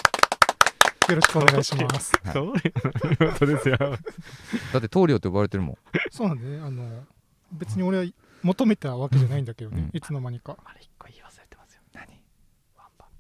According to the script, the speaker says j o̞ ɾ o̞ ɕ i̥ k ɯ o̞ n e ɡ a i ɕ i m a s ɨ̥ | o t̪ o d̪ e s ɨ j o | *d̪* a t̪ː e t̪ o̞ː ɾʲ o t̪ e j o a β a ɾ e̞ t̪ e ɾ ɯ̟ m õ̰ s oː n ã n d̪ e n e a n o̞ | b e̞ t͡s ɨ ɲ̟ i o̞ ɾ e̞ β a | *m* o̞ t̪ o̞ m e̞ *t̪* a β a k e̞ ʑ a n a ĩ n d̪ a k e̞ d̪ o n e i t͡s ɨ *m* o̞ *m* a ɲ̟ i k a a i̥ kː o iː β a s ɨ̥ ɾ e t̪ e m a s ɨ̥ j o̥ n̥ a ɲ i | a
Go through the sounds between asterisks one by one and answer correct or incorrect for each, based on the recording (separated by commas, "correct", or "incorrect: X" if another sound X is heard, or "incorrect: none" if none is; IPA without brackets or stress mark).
correct, correct, correct, incorrect: n, correct